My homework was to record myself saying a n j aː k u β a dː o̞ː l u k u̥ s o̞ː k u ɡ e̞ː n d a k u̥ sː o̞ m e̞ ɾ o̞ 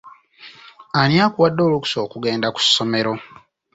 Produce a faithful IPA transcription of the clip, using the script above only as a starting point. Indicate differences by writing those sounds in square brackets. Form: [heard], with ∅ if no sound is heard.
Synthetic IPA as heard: a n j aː k u [w] a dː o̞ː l u k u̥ s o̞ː k u ɡ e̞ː n d a k u̥ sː o̞ m e̞ ɾ o̞